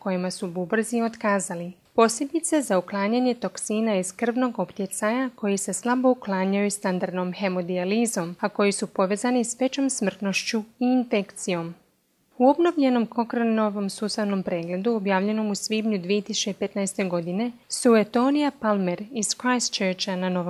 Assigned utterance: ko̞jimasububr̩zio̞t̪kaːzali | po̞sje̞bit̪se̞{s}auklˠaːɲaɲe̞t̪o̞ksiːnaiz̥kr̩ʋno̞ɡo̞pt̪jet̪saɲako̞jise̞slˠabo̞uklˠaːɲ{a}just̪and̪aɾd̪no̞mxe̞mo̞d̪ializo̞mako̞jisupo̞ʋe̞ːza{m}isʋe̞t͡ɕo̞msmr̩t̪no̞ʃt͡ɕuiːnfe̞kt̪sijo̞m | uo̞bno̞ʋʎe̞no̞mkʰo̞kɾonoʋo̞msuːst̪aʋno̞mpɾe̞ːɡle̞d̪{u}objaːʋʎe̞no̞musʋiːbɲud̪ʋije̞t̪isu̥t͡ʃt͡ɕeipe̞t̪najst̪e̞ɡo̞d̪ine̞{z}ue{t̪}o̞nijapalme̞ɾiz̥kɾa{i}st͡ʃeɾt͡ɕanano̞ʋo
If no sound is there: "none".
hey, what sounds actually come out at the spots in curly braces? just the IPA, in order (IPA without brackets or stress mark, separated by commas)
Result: z, a, n, u, s, t̪, j